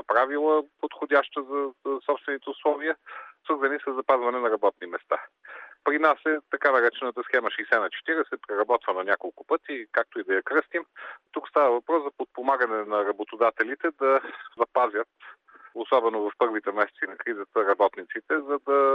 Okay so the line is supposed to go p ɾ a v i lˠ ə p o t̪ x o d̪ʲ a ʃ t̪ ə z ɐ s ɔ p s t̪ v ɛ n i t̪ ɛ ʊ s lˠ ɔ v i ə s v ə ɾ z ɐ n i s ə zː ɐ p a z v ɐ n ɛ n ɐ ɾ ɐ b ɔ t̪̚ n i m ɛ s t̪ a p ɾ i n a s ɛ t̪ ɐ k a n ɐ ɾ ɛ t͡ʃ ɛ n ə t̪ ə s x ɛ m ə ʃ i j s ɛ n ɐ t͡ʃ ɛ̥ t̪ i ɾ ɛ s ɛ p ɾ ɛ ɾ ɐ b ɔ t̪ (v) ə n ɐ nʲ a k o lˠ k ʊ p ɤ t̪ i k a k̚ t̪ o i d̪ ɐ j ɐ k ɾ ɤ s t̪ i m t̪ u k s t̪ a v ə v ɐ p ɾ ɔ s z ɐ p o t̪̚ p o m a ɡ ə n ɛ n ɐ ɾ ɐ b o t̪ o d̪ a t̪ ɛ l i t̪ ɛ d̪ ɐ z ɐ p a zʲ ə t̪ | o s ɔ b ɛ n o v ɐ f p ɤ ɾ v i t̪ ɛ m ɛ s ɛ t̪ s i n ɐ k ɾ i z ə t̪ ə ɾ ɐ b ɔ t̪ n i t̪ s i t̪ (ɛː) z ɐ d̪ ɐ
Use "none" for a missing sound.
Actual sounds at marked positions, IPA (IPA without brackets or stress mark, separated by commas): v, ɛ